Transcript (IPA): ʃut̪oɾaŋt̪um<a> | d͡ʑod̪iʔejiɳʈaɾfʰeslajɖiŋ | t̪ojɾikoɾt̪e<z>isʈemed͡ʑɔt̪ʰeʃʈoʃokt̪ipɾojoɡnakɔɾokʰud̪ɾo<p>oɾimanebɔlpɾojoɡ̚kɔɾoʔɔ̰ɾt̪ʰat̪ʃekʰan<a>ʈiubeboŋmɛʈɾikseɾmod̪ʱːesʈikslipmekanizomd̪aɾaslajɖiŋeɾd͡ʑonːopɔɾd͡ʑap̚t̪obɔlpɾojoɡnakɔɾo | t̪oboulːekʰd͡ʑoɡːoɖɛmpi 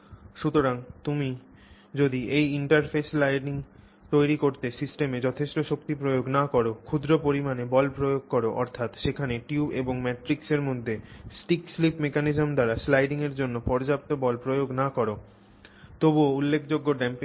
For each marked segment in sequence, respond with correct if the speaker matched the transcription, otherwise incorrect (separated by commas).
incorrect, incorrect, correct, incorrect